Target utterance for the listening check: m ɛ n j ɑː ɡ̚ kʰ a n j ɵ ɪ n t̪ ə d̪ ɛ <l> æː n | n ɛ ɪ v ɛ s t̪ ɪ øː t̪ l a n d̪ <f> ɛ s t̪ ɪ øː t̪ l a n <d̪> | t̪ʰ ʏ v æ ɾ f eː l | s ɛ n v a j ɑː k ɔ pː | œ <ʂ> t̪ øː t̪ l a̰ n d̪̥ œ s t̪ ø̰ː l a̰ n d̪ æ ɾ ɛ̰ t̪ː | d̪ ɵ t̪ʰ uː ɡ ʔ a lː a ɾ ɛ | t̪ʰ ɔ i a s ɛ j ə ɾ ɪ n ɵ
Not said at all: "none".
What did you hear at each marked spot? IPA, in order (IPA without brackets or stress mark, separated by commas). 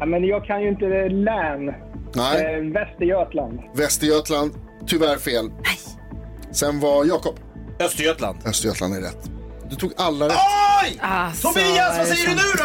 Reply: l, v, d̪, s